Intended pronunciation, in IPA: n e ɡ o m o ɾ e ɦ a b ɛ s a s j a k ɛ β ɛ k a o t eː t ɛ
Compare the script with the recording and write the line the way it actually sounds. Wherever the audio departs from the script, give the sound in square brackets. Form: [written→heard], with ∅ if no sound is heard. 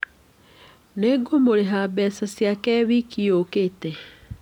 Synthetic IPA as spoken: n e ɡ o m o ɾ e ɦ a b ɛ s a s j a k ɛ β [ɛ→i] k [a→i] o [t→k] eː t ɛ